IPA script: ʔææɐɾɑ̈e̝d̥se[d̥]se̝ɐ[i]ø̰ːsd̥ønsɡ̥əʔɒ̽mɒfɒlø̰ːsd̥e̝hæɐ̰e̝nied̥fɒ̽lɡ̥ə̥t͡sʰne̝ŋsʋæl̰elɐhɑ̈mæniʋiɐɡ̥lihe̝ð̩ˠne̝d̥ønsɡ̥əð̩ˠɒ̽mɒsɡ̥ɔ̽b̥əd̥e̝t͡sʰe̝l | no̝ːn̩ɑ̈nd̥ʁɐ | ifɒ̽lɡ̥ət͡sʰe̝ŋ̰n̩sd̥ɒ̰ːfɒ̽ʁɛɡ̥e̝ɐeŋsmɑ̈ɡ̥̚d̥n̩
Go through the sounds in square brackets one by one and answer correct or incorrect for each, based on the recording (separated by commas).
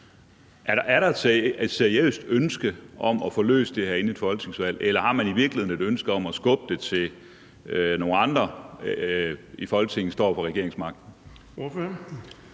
correct, correct